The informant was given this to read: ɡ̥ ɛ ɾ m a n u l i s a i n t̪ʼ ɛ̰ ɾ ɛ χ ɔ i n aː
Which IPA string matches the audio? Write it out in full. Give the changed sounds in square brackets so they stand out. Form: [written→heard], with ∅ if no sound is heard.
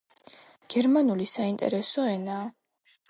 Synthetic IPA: ɡ̥ ɛ ɾ m a n u l i s a i n t̪ʼ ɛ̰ ɾ ɛ [χ→s] ɔ [i→ɛ] n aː